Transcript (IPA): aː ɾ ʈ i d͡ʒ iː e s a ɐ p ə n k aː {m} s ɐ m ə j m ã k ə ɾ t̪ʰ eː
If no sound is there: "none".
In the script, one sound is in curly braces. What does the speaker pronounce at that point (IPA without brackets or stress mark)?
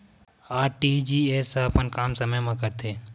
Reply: m